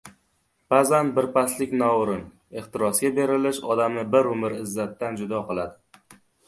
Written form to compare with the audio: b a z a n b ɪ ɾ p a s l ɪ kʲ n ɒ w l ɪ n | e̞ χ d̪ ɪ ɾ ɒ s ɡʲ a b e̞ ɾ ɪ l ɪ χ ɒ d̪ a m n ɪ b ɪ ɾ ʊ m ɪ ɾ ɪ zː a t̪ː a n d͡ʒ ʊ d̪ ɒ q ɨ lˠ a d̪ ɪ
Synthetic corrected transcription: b a z a n b ɪ ɾ p a s l ɪ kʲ n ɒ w ɾ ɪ n | e̞ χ t̪ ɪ ɾ ɒ s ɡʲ a b e̞ ɾ ɪ l ɪ ʃ ɒ d̪ a m n ɪ b ɪ ɾ ʊ m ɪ ɾ ɪ zː a t̪ː a n d͡ʒ ʊ d̪ ɒ q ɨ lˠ a d̪ ɪ

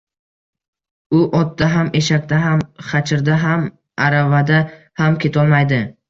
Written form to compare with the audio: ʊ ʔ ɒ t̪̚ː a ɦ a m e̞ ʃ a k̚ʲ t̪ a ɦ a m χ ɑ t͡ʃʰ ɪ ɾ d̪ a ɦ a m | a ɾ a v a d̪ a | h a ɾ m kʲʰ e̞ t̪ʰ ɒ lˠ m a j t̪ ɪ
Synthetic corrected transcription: ʊ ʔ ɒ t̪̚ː a ɦ a m e̞ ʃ a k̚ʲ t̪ a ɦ a m χ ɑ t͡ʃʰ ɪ ɾ d̪ a ɦ a m | a ɾ a v a d̪ a | h a m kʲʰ e̞ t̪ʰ ɒ lˠ m a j d̪ ɪ

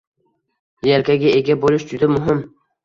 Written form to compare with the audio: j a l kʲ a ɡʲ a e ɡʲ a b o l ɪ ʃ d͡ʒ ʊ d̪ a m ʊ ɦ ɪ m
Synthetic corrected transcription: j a l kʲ a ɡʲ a e ɡʲ a b o l ɪ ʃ d͡ʒ ʊ d̪ a m ʊ ɦ ɪ m

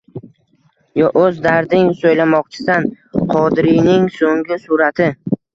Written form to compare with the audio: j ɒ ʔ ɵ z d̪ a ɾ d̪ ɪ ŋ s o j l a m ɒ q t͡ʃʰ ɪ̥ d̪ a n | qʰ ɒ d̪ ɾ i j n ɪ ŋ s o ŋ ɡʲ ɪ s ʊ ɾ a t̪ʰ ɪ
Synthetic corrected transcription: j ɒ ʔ ɵ z d̪ a ɾ d̪ ɪ ŋ s o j l a m ɒ q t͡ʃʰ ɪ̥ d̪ a n | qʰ ɒ d̪ ɾ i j n ɪ ŋ s o ŋ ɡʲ ɪ s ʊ ɾ a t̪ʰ ɪ

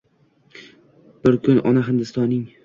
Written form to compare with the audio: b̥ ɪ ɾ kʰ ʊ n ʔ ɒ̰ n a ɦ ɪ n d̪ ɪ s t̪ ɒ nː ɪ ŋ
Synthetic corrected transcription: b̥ ɪ ɾ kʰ ʊ n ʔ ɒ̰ n a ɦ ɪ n d̪ ɪ s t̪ ɒ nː ɪ ŋ

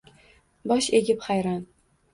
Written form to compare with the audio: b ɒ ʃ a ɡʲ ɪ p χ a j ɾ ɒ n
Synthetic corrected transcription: b ɒ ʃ e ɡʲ ɪ p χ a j ɾ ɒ n

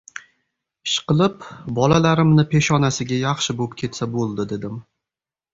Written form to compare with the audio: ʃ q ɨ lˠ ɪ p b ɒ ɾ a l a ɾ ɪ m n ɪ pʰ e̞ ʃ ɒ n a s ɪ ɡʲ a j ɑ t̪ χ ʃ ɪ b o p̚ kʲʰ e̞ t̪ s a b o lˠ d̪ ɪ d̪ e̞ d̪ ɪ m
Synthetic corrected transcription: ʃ q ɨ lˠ ɪ p b ɒ l a l a ɾ ɪ m n ɪ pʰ e̞ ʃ ɒ n a s ɪ ɡʲ a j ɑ χ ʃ ɪ b o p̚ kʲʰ e̞ t̪ s a b o lˠ d̪ ɪ d̪ e̞ d̪ ɪ m

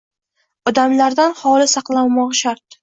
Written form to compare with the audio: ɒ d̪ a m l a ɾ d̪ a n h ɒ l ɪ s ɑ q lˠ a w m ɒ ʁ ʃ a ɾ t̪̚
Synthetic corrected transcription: ɒ d̪ a m l a ɾ d̪ a n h ɒ l ɪ s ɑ q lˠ a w m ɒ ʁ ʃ a ɾ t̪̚

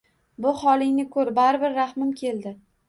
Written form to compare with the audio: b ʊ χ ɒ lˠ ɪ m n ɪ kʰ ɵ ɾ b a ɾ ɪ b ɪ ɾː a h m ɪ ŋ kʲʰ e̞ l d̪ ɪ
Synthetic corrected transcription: b ʊ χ ɒ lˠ ɪ ŋ n ɪ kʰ ɵ ɾ b a ɾ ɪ b ɪ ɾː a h m ɪ m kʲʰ e̞ l d̪ ɪ

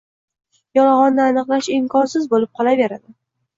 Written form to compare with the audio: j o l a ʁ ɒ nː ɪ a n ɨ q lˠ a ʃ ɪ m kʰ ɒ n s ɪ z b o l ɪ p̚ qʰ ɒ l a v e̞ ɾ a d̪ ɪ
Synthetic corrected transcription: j ɒ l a ʁ ɒ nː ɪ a n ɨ q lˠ a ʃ ɪ m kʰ ɒ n s ɪ z b o l ɪ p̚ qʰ ɒ l a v e̞ ɾ a d̪ ɪ

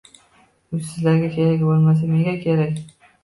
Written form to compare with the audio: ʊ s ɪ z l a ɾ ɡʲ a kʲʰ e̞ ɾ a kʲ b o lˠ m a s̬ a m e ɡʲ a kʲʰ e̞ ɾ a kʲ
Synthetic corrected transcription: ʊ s ɪ z l a ɾ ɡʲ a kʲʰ e̞ ɾ a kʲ b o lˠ m a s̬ a m e ɡʲ a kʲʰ e̞ ɾ a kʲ

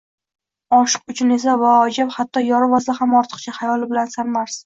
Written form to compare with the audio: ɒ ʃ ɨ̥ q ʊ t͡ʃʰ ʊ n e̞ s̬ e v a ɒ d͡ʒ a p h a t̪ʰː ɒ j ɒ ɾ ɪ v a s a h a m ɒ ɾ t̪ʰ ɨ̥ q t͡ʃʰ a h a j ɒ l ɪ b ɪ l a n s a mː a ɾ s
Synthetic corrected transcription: ɒ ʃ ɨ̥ q ʊ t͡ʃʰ ʊ n e̞ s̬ a v a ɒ d͡ʒ a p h a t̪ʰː ɒ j ɒ ɾ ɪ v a s a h a m ɒ ɾ t̪ʰ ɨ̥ q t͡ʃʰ a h a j ɒ l ɪ b ɪ l a n s a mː a ɾ s

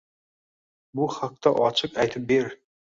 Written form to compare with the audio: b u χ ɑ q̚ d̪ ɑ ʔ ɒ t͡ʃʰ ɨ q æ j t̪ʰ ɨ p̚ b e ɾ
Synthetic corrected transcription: b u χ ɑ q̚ t̪ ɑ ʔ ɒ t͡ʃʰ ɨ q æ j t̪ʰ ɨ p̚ b e ɾ

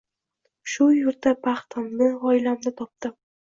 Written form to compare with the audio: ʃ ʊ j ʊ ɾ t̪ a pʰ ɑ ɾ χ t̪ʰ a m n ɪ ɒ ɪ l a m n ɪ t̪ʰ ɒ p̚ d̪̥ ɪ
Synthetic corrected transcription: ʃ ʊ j ʊ ɾ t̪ a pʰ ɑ χ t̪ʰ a m n ɪ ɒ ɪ l a m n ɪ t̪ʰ ɒ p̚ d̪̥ ɪ

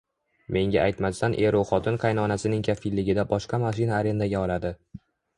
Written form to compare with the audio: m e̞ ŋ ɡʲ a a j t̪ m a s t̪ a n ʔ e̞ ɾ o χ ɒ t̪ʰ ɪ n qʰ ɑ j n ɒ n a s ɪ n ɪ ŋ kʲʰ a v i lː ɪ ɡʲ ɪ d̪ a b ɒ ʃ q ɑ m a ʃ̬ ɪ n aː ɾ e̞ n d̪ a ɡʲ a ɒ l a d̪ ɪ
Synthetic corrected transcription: m e̞ ŋ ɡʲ a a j t̪ m a s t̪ a n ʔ e̞ ɾ o χ ɒ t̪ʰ ɪ n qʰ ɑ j n ɒ n a s ɪ n ɪ ŋ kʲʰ a f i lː ɪ ɡʲ ɪ d̪ a b ɒ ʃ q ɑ m a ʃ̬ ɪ n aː ɾ e̞ n d̪ a ɡʲ a ɒ l a d̪ ɪ

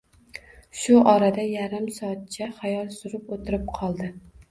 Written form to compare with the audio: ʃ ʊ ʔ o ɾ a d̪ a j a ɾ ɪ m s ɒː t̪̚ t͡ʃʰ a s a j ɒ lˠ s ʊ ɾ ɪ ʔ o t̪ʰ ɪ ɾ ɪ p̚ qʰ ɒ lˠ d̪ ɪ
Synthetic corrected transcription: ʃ ʊ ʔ ɒ ɾ a d̪ a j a ɾ ɪ m s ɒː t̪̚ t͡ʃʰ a χ a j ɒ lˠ s ʊ ɾ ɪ p o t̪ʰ ɪ ɾ ɪ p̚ qʰ ɒ lˠ d̪ ɪ

